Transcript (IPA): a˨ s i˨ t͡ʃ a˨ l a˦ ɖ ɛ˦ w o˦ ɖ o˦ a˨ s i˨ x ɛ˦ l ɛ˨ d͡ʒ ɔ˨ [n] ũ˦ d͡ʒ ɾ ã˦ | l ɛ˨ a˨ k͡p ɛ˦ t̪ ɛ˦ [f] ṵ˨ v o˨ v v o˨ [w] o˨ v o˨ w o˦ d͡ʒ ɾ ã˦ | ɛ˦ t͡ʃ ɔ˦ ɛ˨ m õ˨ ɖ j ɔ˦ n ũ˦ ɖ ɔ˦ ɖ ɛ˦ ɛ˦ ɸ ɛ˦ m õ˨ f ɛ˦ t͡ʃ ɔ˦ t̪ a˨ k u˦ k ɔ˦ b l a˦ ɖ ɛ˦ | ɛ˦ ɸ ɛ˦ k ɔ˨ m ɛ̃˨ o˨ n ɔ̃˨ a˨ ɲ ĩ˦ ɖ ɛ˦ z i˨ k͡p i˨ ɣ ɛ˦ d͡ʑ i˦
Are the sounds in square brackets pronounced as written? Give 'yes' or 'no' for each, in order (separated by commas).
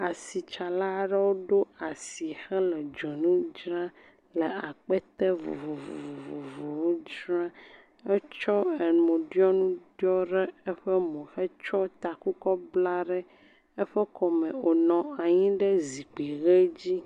yes, no, no